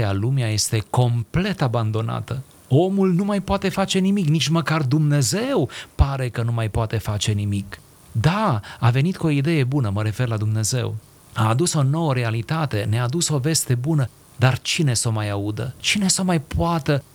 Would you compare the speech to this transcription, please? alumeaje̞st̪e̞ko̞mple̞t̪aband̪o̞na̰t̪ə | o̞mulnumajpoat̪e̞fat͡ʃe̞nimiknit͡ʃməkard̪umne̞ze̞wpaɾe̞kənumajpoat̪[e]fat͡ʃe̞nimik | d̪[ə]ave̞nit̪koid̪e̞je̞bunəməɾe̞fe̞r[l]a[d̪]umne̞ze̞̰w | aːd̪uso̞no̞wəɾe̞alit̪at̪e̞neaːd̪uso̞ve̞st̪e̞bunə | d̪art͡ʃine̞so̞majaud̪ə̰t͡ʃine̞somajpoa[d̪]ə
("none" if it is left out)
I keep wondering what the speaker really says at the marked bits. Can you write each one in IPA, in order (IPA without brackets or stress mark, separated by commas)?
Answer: e, a, l, d̪, t̪